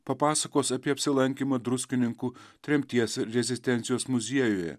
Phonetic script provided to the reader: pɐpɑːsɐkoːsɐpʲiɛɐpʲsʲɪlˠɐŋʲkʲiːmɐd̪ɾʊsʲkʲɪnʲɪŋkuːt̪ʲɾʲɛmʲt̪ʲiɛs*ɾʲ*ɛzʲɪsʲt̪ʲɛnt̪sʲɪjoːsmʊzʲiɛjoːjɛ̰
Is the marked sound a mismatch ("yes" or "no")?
no